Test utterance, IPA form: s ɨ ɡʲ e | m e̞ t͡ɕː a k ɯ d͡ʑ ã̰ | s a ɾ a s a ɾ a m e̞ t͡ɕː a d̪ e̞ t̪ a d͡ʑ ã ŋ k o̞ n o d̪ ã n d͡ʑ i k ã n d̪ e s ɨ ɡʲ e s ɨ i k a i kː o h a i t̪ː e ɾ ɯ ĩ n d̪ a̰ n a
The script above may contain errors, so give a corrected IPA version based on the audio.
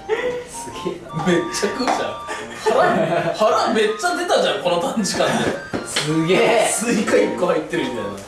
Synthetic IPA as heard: s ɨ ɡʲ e | m e̞ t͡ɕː a k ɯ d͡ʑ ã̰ | h a ɾ a h a ɾ a m e̞ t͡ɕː a d̪ e̞ t̪ a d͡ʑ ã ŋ k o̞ n o t̪ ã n d͡ʑ i k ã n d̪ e s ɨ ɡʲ e s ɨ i k a i kː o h a i t̪ː e ɾ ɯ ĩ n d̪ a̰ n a